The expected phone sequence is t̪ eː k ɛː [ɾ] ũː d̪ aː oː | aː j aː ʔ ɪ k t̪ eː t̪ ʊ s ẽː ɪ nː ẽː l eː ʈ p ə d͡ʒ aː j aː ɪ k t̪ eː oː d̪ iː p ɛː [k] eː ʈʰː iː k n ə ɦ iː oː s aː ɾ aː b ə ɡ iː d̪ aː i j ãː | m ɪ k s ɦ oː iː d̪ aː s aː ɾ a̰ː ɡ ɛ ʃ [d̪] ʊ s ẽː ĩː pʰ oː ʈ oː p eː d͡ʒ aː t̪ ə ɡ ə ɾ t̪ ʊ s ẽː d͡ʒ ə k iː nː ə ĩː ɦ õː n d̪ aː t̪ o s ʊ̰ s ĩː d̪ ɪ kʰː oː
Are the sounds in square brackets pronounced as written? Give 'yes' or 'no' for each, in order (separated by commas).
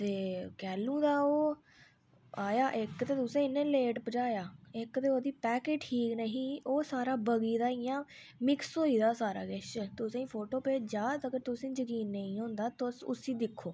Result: no, yes, no